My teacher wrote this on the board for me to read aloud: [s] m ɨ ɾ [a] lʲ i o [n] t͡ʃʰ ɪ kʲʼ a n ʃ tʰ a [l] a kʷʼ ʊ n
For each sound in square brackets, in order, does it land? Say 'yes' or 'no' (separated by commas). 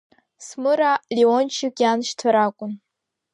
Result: yes, yes, yes, no